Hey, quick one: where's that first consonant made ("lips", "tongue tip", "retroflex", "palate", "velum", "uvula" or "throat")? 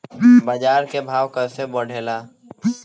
lips